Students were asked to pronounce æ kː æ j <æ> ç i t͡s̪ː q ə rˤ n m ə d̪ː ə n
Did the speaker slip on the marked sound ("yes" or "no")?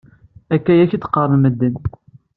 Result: no